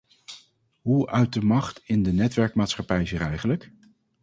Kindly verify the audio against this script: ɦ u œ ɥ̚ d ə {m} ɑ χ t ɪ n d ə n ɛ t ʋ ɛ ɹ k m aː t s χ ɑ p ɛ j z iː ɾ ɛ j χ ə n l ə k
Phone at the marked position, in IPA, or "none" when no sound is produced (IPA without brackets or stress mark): m